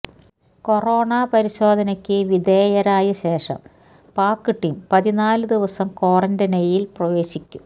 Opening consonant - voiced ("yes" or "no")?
no